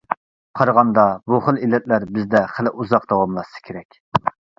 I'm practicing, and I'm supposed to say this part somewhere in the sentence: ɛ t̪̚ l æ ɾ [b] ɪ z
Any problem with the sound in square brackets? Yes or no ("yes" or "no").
no